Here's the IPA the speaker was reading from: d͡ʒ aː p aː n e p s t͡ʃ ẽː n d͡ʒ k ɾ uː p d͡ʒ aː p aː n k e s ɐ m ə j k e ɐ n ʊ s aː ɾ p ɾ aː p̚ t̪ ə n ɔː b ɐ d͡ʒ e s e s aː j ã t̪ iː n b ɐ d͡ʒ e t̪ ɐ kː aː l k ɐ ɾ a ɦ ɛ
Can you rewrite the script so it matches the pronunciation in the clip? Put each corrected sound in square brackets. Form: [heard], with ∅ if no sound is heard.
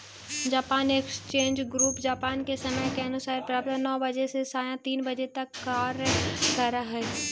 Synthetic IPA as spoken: d͡ʒ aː p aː n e [k] s t͡ʃ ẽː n d͡ʒ [ɡ] ɾ uː p d͡ʒ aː p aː n k e s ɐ m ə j k e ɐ n ʊ s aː ɾ p ɾ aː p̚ t̪ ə n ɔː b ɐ d͡ʒ e s e s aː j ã t̪ iː n b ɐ d͡ʒ e t̪ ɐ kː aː [ɾ] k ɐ ɾ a ɦ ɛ

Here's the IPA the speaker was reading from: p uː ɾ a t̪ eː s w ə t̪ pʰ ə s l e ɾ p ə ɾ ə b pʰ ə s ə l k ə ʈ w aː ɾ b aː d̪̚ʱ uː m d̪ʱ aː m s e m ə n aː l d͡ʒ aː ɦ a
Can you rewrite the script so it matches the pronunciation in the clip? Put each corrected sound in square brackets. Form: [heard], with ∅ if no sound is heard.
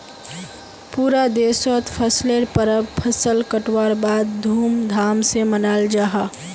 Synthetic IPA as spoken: p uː ɾ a [d̪] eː s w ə t̪ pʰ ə s l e ɾ p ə ɾ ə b pʰ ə s ə l k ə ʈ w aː ɾ b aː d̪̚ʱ uː m d̪ʱ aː m s e m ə n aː l d͡ʒ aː ɦ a

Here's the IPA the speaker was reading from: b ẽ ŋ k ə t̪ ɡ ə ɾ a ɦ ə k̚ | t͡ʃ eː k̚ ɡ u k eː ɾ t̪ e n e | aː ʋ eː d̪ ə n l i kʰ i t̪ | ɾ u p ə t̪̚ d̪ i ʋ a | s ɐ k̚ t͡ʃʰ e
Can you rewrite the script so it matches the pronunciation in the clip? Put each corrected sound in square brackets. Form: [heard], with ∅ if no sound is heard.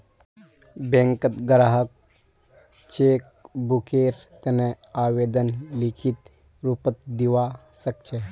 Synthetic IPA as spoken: b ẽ ŋ k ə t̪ ɡ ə ɾ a ɦ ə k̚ | t͡ʃ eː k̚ [b] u k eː ɾ t̪ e n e | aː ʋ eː d̪ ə n l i kʰ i t̪ | ɾ u p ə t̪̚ d̪ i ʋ a | s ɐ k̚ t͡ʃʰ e

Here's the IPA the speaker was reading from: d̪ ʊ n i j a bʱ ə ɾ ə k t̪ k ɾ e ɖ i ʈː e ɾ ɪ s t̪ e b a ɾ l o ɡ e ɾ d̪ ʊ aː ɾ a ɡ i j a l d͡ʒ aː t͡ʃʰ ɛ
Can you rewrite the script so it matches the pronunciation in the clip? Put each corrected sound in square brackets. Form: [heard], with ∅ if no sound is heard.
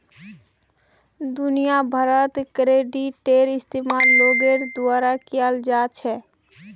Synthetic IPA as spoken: d̪ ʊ n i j a bʱ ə ɾ ə [∅] t̪ k ɾ e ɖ i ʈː e ɾ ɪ s t̪ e [m] a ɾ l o ɡ e ɾ d̪ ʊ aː ɾ a [k] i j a l d͡ʒ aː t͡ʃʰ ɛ

